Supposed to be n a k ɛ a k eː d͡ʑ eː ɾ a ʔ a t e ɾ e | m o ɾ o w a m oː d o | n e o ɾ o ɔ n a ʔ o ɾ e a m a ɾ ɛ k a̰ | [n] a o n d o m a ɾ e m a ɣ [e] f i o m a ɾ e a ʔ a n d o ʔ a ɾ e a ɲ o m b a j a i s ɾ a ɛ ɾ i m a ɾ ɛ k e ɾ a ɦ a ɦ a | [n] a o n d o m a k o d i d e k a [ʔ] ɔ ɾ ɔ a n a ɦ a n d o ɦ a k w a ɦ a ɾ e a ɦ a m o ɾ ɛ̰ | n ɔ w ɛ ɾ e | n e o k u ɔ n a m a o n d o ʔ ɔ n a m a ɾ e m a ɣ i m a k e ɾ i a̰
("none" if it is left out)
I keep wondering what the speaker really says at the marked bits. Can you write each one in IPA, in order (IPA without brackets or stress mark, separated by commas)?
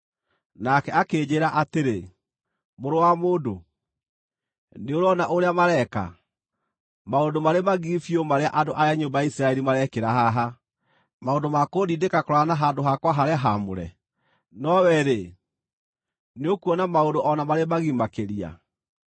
m, i, m, k